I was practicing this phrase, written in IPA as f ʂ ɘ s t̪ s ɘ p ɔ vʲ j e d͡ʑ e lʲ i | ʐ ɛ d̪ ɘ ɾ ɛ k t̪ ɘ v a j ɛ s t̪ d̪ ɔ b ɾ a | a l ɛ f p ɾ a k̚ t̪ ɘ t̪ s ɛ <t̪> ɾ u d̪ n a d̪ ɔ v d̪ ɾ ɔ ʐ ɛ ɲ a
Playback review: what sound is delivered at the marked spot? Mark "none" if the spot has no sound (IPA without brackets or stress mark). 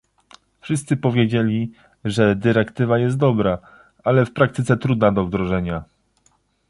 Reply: t̪